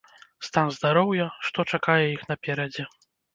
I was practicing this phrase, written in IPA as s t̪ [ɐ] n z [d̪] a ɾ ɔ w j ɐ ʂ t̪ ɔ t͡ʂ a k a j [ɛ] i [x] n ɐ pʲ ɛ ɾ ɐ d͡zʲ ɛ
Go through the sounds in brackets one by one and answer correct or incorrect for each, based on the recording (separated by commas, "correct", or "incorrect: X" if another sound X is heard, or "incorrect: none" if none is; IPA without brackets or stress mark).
incorrect: a, correct, correct, correct